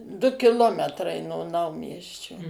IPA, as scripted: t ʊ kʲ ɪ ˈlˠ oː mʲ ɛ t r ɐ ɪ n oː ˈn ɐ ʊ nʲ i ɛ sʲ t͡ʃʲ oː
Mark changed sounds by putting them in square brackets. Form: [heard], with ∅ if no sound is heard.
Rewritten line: [d] ʊ kʲ ɪ ˈlˠ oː mʲ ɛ t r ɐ ɪ n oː ˈn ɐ ʊ [mʲ] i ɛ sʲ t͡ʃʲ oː